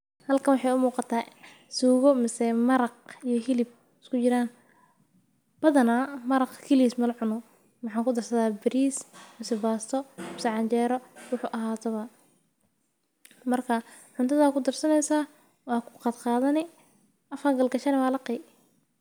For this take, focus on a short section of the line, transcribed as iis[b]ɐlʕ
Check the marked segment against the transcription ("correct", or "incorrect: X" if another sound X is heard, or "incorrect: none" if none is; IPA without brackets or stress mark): incorrect: m